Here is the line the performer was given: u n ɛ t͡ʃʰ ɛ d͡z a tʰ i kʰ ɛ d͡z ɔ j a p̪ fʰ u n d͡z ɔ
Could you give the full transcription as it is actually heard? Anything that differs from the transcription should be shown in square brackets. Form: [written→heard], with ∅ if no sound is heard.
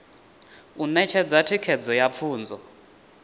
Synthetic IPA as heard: u n ɛ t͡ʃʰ ɛ d͡z a tʰ i kʰ ɛ d͡z ɔ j a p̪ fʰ [u→uː] n d͡z ɔ